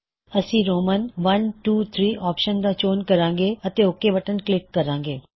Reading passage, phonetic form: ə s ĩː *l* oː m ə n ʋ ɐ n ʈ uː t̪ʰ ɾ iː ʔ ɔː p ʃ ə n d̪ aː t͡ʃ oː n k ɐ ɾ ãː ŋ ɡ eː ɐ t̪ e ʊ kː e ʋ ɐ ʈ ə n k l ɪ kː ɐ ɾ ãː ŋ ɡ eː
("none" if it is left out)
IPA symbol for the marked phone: ɾ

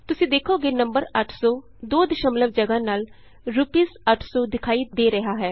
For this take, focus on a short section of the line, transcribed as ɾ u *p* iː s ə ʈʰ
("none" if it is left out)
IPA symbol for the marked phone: p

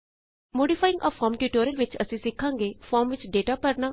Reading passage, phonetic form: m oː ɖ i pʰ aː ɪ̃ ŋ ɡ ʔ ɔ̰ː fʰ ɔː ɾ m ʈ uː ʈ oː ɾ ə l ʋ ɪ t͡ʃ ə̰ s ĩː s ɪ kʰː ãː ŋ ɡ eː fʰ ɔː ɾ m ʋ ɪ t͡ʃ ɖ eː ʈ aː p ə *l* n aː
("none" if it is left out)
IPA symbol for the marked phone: ɾ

